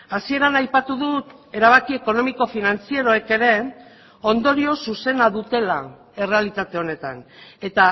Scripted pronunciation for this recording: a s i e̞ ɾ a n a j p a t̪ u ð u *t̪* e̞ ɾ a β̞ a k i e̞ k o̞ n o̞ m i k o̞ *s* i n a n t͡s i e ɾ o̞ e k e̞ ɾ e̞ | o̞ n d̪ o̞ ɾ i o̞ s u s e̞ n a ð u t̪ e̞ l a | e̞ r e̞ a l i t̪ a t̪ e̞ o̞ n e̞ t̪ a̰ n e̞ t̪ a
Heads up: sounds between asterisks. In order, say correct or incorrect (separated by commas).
correct, incorrect